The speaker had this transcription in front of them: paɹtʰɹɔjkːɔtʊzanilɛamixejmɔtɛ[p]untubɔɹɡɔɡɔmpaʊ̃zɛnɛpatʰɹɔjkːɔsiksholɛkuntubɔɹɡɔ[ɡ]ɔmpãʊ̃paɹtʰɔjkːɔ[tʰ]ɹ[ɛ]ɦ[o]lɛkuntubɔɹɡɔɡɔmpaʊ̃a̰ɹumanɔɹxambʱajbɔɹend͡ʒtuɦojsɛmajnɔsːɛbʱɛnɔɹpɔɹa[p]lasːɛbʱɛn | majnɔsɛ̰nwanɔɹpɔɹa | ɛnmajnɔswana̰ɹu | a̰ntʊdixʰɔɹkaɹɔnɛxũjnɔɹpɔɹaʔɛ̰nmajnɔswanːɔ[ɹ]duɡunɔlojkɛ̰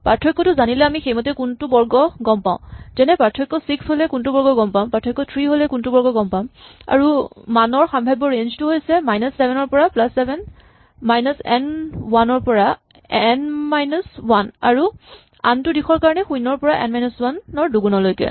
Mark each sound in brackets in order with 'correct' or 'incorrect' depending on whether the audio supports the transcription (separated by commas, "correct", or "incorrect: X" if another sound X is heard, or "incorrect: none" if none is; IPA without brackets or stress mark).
incorrect: k, correct, correct, incorrect: i, correct, correct, correct